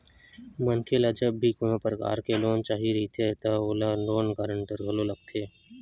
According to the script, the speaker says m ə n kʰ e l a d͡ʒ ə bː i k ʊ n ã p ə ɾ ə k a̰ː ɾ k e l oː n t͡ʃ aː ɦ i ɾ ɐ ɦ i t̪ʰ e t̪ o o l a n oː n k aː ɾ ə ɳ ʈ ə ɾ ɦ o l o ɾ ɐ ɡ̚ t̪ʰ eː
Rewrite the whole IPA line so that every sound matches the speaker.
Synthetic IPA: m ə n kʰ e l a d͡ʒ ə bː i k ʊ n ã p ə ɾ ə k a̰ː ɾ k e l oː n t͡ʃ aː ɦ i ɾ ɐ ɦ i t̪ʰ e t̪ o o l a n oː n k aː ɾ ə ɳ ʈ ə ɾ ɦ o l o l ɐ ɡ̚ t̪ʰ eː